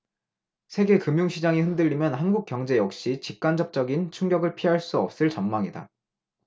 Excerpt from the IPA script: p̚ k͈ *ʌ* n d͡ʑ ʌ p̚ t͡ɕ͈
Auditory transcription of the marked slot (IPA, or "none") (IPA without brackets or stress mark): a